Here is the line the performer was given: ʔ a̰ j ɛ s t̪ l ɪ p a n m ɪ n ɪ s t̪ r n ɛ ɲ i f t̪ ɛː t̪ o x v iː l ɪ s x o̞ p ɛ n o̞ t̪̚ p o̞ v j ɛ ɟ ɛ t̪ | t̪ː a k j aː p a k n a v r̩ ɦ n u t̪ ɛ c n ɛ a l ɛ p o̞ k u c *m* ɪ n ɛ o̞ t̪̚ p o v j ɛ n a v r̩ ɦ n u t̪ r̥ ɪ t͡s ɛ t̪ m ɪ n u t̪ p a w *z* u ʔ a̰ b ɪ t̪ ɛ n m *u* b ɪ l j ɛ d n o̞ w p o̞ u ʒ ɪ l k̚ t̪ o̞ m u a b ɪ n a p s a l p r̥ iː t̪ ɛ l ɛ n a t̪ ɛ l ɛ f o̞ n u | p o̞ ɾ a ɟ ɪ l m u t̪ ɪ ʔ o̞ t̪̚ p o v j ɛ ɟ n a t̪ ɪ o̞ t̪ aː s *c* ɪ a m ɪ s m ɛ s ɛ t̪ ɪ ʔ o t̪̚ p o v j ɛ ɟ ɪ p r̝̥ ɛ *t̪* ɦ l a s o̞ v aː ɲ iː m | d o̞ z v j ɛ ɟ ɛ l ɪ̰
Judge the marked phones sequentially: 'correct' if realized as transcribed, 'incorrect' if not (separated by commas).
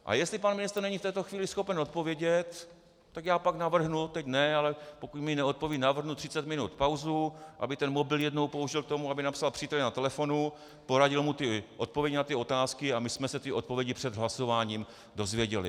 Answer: correct, correct, incorrect, incorrect, incorrect